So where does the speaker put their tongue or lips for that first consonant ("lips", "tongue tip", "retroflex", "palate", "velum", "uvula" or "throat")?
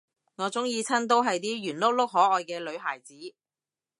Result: velum